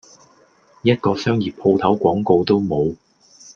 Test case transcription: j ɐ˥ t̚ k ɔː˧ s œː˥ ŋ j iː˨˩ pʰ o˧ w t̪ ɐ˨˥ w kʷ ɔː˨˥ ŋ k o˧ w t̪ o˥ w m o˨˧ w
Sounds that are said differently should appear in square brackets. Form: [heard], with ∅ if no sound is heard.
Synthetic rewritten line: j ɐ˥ t̚ k ɔː˧ s œː˥ ŋ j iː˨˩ pʰ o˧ w [t̪ʰ] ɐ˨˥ w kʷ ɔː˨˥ ŋ k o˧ w t̪ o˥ w m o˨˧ w

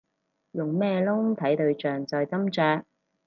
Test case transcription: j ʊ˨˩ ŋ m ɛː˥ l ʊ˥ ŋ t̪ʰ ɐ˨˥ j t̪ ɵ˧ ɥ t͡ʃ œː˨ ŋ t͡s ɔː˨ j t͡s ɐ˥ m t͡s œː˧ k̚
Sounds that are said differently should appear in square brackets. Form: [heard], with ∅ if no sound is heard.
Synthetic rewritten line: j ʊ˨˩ ŋ m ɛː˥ l ʊ˥ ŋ t̪ʰ ɐ˨˥ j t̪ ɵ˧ ɥ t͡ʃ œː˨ ŋ t͡s ɔː˨ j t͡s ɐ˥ m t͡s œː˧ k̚

